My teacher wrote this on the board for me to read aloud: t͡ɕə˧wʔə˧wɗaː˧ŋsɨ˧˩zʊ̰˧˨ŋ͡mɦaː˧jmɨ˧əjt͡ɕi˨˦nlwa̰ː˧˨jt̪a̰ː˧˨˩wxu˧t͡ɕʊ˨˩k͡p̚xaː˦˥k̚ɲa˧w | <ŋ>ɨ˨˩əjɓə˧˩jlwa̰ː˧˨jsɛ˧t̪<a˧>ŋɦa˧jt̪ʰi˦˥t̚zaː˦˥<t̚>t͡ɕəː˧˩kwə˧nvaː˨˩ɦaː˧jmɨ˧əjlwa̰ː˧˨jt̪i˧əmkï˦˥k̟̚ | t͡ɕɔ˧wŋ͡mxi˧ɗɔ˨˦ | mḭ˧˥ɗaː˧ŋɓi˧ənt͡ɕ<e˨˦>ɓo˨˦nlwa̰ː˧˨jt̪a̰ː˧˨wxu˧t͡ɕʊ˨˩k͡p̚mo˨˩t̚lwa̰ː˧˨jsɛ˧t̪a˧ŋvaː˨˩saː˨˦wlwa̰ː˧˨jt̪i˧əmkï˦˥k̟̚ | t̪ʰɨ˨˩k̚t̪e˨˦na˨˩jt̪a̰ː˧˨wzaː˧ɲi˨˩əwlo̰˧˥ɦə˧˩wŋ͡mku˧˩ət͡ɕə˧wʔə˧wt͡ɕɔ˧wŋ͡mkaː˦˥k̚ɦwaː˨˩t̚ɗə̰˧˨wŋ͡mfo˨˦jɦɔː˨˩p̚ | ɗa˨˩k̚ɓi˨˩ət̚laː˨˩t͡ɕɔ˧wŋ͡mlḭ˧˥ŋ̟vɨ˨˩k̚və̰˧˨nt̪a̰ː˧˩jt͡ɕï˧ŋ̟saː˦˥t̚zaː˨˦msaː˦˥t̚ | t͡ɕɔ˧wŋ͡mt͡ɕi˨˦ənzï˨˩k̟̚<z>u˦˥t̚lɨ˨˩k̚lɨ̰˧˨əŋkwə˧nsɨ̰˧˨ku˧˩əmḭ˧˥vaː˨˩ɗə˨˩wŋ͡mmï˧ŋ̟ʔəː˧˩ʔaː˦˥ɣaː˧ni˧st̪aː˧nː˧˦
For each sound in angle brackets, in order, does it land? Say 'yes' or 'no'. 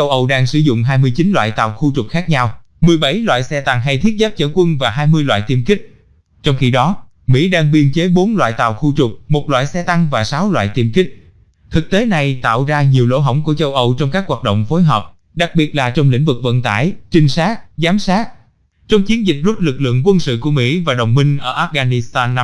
no, yes, no, yes, yes

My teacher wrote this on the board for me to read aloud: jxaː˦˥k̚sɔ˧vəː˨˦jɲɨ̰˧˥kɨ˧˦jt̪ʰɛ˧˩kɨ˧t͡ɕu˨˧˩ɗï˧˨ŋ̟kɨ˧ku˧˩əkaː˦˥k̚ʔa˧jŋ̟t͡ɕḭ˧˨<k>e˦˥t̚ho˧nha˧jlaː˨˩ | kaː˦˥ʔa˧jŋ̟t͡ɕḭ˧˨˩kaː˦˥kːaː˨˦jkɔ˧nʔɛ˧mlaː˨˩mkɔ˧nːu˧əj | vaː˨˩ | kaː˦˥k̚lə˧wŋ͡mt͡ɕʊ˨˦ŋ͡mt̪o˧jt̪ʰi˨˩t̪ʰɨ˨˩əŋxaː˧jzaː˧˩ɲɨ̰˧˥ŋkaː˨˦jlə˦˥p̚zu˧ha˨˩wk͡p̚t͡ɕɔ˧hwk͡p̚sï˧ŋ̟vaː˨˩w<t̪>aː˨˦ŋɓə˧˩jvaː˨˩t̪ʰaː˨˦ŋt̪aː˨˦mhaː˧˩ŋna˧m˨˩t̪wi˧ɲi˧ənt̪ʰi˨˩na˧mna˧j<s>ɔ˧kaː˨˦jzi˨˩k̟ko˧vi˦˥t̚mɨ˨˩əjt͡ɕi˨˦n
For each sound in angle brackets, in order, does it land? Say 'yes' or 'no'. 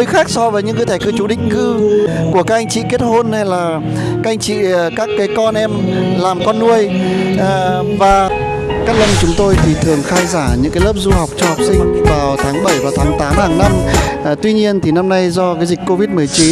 yes, no, no

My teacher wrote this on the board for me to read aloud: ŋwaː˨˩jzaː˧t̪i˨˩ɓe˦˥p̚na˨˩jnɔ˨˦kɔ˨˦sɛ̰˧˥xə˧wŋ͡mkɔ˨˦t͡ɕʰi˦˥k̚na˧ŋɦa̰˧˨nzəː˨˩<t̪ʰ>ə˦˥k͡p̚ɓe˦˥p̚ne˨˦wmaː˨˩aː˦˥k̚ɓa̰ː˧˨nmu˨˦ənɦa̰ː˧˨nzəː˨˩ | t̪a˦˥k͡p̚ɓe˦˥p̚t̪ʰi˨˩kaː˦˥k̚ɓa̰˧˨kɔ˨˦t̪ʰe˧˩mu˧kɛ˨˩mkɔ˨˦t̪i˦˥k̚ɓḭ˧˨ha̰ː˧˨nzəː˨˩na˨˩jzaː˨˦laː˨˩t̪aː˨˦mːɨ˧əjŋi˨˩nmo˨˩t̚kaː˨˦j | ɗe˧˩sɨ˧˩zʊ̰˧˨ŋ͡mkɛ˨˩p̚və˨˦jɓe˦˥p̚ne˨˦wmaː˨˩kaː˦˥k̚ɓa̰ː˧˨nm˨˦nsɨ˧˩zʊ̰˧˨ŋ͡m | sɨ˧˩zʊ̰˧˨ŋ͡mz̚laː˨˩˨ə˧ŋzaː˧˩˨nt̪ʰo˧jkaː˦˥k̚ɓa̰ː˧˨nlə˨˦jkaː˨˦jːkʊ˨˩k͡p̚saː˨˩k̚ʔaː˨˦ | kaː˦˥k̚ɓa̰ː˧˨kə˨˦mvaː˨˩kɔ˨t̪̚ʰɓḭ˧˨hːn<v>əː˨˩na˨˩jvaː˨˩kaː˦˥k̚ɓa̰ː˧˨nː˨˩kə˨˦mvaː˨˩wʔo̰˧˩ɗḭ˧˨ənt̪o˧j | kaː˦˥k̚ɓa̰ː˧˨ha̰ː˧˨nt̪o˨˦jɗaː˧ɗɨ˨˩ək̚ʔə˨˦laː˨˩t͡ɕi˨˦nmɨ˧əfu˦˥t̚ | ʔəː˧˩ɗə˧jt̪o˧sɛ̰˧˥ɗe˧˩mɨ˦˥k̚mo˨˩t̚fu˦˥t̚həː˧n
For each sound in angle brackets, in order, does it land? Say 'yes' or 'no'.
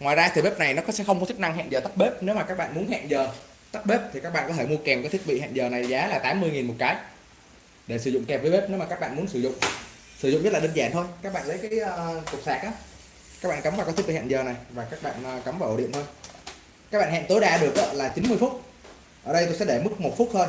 no, no

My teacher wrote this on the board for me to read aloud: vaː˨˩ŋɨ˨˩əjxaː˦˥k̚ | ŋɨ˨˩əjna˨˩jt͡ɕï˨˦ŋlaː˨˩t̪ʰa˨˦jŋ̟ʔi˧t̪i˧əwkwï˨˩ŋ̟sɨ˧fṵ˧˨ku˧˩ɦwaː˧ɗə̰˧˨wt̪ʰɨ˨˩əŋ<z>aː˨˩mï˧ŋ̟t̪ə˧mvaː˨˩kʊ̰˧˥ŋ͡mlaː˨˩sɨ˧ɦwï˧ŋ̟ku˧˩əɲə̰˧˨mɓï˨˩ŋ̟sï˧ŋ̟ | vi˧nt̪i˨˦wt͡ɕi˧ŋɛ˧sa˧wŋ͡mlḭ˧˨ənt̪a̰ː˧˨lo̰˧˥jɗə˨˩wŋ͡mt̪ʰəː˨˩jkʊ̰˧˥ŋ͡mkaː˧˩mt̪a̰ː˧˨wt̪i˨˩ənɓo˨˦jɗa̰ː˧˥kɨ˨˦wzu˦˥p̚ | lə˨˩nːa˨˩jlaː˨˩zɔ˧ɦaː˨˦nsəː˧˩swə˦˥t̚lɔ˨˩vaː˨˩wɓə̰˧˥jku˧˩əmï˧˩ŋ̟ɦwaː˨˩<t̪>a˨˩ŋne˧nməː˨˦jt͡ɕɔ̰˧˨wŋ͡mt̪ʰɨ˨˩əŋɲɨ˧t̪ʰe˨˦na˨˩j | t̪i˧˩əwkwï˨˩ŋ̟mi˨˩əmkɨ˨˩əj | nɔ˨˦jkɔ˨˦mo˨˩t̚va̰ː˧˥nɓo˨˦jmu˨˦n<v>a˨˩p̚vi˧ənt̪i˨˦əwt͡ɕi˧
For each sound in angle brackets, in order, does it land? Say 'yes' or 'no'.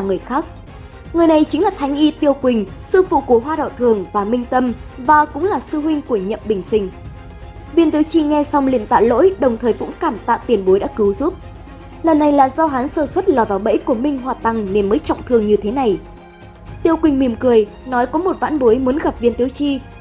no, yes, no

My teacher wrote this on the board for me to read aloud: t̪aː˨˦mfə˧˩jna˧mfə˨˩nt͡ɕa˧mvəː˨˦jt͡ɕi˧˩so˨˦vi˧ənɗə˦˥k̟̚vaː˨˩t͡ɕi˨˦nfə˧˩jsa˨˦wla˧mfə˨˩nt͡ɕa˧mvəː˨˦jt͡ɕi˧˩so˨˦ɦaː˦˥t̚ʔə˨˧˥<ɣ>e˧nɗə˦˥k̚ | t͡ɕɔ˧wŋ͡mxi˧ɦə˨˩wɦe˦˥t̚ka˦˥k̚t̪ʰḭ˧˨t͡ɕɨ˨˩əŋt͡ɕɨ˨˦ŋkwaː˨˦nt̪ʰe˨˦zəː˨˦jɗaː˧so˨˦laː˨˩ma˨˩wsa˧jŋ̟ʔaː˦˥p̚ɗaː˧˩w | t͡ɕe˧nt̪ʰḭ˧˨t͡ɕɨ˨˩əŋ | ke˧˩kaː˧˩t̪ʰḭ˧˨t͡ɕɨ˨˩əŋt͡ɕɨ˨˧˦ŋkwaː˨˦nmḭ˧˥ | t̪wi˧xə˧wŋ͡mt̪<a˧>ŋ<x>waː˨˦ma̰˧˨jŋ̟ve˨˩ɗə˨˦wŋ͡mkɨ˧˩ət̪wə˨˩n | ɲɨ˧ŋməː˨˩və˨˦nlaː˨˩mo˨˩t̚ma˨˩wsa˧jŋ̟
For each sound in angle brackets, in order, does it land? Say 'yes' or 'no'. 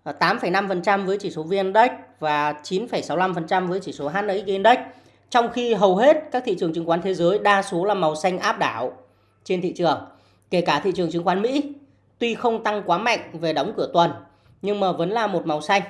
yes, yes, no

